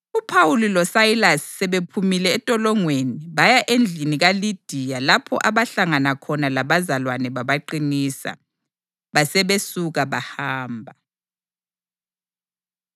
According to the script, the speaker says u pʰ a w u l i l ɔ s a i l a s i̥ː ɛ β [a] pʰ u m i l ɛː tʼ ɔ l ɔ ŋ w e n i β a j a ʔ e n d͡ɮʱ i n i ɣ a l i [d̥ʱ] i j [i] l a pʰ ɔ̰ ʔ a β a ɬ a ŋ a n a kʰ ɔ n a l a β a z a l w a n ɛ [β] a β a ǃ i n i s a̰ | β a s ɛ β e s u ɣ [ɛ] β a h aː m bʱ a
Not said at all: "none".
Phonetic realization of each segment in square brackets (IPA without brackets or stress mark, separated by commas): e, d̥ʱ, a, β, a